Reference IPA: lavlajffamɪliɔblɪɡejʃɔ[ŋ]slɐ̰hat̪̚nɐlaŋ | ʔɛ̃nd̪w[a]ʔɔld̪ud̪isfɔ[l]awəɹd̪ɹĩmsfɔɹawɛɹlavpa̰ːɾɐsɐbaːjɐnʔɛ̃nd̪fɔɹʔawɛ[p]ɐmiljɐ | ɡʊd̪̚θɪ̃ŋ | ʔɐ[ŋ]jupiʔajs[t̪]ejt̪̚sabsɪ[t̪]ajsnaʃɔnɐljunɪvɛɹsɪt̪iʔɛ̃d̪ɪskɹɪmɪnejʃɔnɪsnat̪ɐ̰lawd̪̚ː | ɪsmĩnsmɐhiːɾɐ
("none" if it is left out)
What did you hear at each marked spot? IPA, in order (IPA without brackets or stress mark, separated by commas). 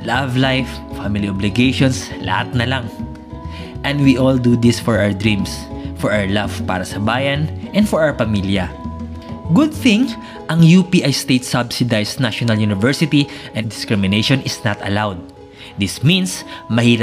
n, i, ɹ, p, ŋ, t̪, d̪